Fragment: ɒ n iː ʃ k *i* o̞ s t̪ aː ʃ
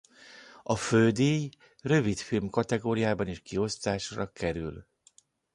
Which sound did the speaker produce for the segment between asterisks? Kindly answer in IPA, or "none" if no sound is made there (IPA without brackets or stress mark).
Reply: i